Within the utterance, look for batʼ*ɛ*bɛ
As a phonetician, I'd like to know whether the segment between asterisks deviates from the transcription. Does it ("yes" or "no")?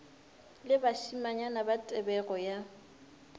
no